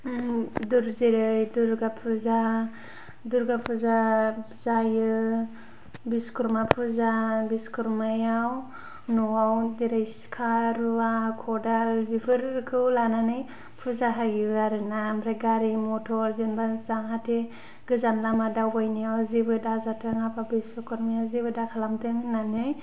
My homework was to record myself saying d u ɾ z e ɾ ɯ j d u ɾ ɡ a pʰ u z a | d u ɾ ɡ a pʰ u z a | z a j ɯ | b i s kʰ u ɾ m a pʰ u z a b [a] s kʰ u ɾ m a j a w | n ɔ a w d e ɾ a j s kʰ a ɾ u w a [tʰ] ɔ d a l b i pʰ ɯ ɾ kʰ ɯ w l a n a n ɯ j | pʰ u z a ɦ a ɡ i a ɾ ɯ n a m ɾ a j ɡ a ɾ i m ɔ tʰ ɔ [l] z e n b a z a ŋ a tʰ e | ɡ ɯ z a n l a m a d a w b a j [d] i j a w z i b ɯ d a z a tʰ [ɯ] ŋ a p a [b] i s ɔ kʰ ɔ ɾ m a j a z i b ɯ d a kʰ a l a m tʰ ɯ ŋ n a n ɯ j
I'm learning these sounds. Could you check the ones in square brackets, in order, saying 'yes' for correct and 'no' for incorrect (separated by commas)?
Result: no, no, no, no, yes, yes